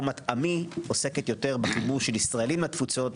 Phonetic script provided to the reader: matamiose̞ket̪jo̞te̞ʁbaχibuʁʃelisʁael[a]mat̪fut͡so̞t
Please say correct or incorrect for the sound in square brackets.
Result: incorrect